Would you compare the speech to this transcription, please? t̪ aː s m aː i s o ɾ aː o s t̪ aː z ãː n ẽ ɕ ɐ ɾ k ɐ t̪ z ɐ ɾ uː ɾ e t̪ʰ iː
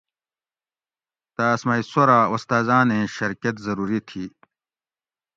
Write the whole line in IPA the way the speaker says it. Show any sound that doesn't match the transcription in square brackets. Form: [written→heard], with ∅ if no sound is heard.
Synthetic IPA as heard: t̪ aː s m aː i s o ɾ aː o s t̪ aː z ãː n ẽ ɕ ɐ ɾ k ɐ t̪ z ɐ ɾ uː ɾ [e→i] t̪ʰ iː

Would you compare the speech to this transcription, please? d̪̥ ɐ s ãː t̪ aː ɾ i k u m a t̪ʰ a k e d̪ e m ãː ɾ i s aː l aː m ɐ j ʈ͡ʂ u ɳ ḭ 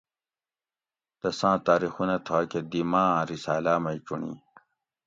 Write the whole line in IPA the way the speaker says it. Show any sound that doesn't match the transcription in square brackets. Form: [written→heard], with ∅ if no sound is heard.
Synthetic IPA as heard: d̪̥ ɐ s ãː t̪ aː ɾ i [k→x] u [m→n] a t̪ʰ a k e d̪ [e→i] m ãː ɾ i s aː l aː m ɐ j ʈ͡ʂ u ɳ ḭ

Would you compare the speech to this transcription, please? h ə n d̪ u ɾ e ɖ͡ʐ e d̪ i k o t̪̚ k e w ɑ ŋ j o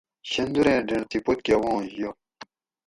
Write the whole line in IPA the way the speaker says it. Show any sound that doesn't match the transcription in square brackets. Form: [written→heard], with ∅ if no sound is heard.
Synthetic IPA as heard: [h→ɕ] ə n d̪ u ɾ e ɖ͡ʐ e [d̪→t̪] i [k→p] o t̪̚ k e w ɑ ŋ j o

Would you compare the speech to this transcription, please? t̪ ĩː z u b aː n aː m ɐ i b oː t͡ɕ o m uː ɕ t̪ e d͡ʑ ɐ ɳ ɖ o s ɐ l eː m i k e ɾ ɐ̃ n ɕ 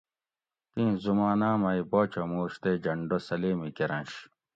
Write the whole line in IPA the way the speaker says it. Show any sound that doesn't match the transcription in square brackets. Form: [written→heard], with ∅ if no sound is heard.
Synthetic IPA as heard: t̪ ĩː z u [b→m] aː n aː m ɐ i b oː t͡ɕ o m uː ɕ t̪ e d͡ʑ ɐ ɳ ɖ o s ɐ l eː m i k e ɾ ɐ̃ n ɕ

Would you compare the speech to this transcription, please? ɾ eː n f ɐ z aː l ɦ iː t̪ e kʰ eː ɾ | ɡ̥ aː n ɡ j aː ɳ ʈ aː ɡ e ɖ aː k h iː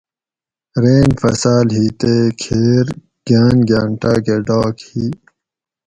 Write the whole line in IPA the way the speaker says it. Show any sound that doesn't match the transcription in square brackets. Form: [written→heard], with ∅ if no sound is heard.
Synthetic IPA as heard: ɾ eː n f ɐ [z→s] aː l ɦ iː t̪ e kʰ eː ɾ | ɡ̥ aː n ɡ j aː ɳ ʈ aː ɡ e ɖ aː k h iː

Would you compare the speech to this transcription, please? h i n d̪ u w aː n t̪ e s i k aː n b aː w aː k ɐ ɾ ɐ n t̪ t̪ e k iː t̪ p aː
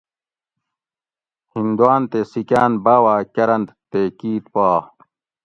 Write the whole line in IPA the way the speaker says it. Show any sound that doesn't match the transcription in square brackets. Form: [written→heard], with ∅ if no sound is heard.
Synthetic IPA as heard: h i n d̪ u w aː n t̪ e s i k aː n b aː w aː k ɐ ɾ ɐ n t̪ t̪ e k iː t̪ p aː

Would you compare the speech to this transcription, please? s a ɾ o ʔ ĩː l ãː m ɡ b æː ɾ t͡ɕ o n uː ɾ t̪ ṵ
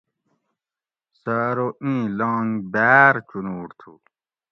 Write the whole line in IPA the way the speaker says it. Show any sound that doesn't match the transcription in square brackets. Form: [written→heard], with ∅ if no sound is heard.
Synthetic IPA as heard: s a ɾ o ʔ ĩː l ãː [m→ŋ] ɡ b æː ɾ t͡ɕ [o→u] n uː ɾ [t̪→t̪ʰ] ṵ

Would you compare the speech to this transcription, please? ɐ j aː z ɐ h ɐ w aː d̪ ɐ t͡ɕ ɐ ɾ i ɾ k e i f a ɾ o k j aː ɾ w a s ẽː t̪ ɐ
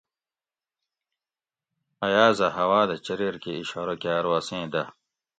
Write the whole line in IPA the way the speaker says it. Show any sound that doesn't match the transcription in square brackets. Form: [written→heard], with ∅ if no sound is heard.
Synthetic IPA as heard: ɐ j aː z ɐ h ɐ w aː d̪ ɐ t͡ɕ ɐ ɾ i ɾ k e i [f→ɕ] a ɾ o k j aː ɾ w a s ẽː [t̪→d̪] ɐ

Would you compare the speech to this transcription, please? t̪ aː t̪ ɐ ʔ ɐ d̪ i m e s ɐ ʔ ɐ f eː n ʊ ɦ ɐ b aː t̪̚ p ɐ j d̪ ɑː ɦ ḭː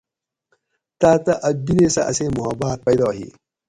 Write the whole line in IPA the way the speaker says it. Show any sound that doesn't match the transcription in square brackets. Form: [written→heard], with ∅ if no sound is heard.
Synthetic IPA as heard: t̪ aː t̪ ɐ ʔ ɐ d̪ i [m→n] e s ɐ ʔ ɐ [f→s] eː [n→m] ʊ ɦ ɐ b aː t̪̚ p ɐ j d̪ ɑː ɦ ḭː

